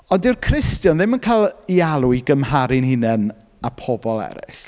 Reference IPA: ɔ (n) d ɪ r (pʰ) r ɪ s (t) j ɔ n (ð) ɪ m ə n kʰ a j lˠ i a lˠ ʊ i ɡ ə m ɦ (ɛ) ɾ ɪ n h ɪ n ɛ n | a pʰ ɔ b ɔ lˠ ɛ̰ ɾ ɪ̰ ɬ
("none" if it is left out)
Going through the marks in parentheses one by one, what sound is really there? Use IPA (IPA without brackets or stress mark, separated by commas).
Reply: n, kʰ, t, ð, a